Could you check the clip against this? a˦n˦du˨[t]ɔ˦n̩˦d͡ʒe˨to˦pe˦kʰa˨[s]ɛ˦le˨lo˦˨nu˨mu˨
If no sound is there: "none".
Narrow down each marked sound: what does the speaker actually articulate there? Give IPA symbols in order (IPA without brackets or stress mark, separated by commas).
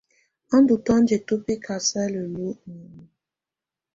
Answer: t, s